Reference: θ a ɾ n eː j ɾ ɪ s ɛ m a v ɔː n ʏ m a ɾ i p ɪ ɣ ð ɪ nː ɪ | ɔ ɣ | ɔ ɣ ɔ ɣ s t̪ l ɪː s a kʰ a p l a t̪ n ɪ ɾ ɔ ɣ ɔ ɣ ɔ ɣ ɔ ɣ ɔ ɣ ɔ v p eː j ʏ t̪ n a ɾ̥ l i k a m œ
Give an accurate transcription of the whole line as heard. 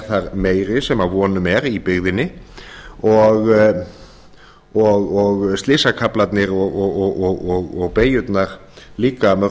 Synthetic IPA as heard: θ a ɾ m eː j ɾ ɪ s ɛ m a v ɔː n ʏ m ɛ ɾ i p ɪ ɣ ð ɪ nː ɪ | ɔ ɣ | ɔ ɣ ɔ ɣ s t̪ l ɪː s a kʰ a p l a t̪ n ɪ ɾ ɔ ɣ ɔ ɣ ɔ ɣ ɔ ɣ ɔ ɣ ɔ ɣ p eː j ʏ t̪ n a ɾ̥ l iː k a m œ